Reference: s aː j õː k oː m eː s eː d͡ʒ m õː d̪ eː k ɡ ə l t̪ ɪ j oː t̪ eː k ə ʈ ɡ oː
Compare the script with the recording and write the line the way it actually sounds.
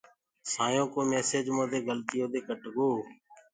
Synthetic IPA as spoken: s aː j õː k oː m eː s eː d͡ʒ m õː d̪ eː ɡ ə l t̪ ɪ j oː d̪ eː k ə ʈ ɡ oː